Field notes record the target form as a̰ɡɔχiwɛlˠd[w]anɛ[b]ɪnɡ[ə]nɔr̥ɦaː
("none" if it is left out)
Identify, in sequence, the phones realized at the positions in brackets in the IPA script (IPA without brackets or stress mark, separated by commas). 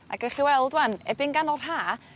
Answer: w, b, a